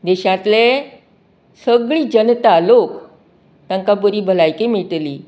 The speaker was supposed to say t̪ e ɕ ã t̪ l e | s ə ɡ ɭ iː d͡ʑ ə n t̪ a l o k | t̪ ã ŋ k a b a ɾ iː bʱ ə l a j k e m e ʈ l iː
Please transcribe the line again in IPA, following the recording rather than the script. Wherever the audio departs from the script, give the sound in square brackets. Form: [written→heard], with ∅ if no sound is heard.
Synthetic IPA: [t̪→d̪] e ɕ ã t̪ l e | s ə ɡ ɭ iː d͡ʑ ə n t̪ a l o k | t̪ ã ŋ k a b [a→ə] ɾ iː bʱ ə l a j k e m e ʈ l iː